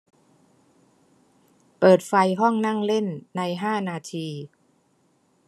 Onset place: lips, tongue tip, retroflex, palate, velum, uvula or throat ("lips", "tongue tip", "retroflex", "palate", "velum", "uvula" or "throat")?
lips